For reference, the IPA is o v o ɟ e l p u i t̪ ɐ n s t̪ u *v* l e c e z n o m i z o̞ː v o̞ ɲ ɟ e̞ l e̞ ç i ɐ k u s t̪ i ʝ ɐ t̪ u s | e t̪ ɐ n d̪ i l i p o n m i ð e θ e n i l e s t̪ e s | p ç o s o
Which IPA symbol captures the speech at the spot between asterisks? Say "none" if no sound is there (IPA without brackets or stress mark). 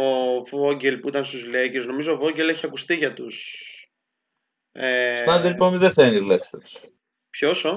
z